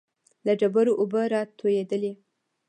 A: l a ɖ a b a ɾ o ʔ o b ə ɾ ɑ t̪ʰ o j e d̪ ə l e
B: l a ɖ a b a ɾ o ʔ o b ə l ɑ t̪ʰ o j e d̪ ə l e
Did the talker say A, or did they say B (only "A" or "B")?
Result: A